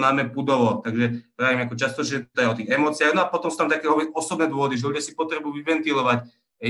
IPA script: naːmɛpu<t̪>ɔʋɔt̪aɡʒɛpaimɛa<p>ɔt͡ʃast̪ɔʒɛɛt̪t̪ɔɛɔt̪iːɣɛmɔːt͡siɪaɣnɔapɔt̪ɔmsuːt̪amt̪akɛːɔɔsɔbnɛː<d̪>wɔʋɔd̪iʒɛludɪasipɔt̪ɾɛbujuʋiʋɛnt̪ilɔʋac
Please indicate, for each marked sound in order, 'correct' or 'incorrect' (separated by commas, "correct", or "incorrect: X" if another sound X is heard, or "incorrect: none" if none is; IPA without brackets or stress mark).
incorrect: d̪, incorrect: k, correct